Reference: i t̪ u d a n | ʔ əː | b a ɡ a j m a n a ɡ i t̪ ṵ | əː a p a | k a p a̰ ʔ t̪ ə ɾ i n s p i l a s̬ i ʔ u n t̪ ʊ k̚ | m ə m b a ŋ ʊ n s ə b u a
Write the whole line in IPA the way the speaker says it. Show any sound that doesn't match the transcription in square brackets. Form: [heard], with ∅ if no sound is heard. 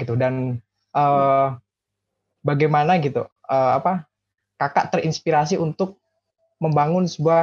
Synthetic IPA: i t̪ u d a n | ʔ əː | b a ɡ a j m a n a ɡ i t̪ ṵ | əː a p a | k a [k] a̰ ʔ t̪ ə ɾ i n s p i [ɾ] a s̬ i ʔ u n t̪ ʊ k̚ | m ə m b a ŋ ʊ n s ə b u a